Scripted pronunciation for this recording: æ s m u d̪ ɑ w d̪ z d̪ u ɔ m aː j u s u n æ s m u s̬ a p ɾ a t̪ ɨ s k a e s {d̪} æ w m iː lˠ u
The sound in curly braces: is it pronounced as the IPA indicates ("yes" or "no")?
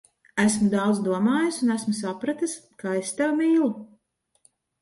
no